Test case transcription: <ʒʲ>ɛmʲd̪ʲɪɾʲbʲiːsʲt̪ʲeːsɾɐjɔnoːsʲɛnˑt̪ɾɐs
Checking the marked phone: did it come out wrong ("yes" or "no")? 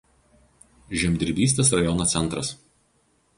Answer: no